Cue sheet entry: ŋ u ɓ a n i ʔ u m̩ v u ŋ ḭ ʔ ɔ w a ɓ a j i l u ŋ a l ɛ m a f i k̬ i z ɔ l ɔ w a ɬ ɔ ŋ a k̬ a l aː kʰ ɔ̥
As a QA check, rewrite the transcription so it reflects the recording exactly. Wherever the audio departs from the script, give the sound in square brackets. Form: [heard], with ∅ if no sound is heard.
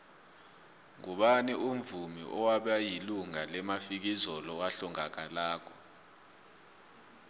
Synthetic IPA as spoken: ŋ u ɓ a n i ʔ u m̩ v u [m] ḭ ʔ ɔ w a ɓ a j i l u ŋ a l ɛ m a f i k̬ i z ɔ l ɔ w a ɬ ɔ ŋ a k̬ a l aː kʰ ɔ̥